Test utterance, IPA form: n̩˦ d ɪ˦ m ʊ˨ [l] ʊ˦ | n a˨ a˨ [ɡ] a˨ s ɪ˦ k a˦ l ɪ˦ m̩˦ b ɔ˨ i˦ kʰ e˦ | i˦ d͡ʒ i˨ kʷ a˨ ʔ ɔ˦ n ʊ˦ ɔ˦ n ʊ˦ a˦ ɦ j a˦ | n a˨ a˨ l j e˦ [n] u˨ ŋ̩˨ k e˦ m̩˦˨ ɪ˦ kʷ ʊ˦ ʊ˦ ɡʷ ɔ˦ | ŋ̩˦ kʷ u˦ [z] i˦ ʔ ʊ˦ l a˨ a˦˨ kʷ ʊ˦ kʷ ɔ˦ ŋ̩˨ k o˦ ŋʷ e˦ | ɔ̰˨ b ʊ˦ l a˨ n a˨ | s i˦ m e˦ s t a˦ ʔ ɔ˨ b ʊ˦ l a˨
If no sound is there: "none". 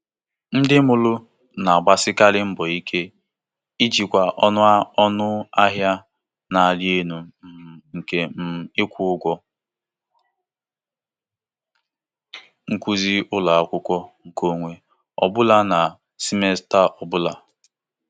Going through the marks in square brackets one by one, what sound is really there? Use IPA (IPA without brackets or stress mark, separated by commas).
l, ɡ͡b, n, z